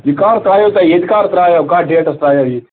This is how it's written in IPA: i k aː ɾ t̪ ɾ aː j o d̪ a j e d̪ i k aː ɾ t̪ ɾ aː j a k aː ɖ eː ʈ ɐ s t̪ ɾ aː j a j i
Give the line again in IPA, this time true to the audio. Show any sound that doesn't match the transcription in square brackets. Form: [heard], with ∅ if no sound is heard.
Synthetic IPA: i k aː ɾ t̪ ɾ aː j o [t̪] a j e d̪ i k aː ɾ t̪ ɾ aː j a k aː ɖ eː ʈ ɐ s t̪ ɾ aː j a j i

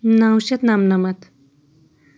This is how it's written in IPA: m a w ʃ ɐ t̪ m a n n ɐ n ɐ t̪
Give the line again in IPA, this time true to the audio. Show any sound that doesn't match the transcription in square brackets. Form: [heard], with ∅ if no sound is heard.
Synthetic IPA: [n] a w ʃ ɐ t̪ [n] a [m] n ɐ [m] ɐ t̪

